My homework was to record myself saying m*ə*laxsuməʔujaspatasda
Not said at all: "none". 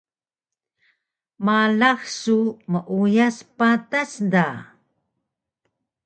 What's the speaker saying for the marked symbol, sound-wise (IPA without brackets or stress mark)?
a